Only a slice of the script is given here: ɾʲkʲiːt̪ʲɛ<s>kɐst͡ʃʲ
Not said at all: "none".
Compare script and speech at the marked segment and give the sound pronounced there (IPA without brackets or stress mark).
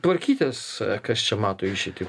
s